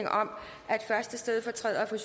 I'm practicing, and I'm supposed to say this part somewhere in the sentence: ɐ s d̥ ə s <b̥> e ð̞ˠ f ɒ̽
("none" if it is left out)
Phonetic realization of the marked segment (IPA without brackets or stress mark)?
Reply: d̥